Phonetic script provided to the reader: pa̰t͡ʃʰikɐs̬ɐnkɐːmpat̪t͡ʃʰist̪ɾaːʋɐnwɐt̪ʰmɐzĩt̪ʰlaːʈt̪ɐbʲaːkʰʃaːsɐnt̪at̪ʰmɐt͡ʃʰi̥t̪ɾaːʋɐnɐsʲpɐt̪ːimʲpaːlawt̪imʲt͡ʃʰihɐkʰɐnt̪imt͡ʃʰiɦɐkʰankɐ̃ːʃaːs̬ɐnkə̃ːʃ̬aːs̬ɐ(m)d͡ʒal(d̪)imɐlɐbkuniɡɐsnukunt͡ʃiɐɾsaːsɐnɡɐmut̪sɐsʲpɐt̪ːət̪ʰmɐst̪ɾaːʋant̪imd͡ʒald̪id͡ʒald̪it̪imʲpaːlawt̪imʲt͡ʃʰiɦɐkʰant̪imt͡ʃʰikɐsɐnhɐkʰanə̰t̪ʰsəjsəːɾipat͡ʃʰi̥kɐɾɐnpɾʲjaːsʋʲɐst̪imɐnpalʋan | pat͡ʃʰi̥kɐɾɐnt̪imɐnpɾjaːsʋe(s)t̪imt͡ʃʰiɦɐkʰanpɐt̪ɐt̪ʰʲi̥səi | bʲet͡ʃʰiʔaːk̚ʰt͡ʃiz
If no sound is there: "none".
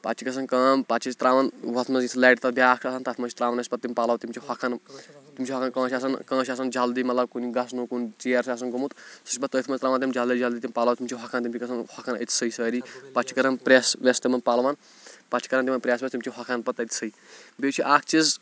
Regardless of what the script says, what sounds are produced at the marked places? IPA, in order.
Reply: n, d̪, s

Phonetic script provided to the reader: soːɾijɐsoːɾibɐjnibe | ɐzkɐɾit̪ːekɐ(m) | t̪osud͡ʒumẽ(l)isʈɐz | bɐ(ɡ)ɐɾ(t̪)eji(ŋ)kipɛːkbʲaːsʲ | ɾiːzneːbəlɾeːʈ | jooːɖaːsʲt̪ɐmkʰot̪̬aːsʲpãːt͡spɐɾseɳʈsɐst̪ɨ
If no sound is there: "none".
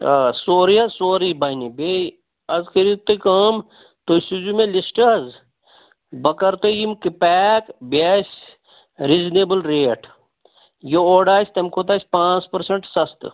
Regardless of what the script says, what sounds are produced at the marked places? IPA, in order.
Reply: m, l, k, t̪, m

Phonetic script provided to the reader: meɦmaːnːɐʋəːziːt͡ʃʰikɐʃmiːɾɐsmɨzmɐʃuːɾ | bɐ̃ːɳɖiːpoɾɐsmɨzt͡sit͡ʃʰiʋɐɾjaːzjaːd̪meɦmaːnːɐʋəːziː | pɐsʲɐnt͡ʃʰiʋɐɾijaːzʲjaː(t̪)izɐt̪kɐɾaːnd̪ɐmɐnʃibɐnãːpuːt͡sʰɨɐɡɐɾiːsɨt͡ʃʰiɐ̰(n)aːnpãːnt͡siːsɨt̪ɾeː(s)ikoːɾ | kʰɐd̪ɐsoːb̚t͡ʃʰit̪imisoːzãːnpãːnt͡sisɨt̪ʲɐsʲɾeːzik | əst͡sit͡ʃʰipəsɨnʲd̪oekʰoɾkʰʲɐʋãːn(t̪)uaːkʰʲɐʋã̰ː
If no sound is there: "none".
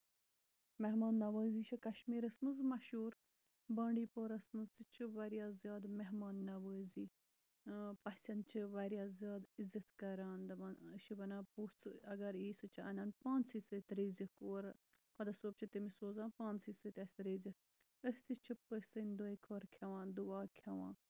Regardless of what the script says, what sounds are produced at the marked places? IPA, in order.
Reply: d̪, n, z, d̪

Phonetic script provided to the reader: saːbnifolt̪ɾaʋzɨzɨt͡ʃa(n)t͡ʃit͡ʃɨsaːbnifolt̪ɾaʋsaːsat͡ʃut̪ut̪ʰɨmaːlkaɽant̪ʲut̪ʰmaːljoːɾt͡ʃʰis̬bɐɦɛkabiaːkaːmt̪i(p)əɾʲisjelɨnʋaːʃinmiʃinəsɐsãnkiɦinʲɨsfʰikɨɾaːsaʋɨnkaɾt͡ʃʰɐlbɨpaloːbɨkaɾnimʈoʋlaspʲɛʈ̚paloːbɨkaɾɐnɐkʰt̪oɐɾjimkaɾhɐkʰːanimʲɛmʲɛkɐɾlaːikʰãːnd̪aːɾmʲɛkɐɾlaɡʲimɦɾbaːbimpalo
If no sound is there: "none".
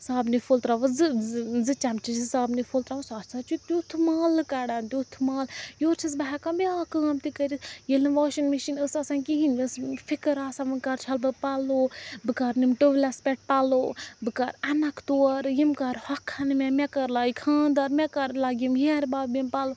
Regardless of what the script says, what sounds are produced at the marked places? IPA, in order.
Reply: m, k

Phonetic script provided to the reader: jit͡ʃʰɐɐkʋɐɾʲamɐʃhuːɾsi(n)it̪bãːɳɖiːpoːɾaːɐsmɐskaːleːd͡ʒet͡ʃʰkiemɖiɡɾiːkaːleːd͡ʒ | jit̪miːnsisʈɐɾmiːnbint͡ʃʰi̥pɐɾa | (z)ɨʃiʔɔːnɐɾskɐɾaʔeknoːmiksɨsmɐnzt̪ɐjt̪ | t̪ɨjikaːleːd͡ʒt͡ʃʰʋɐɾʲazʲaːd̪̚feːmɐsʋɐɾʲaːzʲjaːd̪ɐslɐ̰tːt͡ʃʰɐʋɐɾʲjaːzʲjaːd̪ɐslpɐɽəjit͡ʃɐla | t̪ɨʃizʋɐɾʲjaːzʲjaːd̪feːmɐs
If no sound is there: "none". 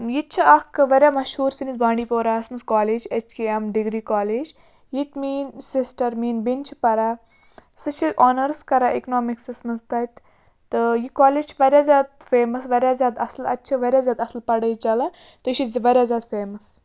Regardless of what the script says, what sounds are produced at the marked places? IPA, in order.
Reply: n, s

